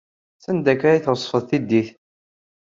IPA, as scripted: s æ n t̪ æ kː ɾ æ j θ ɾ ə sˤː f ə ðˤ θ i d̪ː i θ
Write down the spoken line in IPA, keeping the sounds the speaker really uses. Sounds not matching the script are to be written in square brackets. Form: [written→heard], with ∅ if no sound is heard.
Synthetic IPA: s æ n [t̪→d̪] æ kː ɾ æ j θ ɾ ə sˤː f ə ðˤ θ i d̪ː i θ